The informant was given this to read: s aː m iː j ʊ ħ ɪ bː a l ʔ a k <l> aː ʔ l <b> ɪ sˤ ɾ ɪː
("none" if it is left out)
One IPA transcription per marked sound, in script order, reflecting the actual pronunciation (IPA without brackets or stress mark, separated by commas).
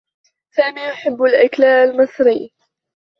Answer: l, m